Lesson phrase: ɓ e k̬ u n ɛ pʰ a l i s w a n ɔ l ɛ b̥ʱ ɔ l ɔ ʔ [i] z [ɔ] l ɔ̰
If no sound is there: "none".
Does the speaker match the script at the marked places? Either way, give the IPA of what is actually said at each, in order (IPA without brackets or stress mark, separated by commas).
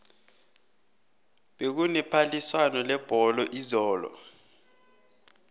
i, ɔː